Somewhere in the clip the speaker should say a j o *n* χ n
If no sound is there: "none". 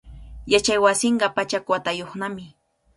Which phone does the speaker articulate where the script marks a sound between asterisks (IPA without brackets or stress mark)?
none